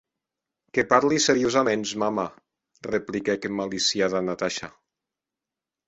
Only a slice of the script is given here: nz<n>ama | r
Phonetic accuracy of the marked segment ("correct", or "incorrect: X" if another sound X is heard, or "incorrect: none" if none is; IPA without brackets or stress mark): incorrect: m